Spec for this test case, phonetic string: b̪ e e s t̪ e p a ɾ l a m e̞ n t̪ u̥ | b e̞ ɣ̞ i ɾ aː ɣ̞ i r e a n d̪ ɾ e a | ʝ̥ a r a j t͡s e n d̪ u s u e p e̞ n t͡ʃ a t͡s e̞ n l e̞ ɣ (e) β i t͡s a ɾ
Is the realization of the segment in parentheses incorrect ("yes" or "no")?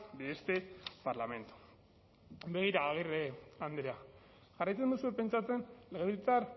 no